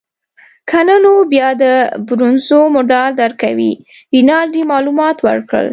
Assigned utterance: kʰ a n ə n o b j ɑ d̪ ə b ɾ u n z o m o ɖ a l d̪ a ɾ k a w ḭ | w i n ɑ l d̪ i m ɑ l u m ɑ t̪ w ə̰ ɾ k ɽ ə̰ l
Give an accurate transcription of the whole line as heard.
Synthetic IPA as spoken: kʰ a n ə n o b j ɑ d̪ ə b ɾ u n z o m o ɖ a l d̪ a ɾ k a w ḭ | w i n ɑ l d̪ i m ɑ l u m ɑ t̪ w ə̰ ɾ k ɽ ə̰ l